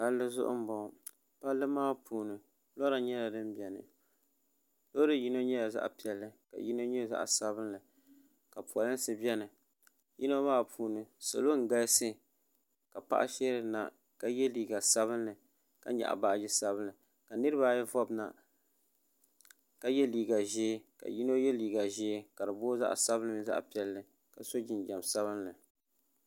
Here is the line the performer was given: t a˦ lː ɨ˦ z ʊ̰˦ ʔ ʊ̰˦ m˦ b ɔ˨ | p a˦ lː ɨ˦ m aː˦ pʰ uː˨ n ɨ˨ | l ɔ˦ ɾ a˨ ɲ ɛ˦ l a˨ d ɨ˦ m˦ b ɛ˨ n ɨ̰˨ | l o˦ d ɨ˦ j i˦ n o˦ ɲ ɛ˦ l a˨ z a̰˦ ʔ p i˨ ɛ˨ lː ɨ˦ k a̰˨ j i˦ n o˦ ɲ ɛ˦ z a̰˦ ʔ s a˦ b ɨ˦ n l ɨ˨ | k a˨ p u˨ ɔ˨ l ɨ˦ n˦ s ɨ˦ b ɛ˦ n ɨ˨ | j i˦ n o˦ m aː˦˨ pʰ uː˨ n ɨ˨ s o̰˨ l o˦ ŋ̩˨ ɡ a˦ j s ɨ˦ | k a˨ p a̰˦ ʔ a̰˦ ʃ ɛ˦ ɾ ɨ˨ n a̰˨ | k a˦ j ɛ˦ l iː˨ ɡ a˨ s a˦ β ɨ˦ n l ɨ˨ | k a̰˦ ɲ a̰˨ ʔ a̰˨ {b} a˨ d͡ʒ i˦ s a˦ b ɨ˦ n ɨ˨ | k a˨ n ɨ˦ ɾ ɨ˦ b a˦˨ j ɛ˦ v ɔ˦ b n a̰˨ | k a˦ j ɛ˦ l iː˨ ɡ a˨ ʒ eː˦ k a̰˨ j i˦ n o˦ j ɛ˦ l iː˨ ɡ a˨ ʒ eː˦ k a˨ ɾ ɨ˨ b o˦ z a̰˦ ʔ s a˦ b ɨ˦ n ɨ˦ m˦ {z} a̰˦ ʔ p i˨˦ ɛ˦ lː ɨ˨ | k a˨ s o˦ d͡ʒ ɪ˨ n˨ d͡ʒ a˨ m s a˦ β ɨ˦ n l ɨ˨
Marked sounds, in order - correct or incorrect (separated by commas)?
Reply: correct, correct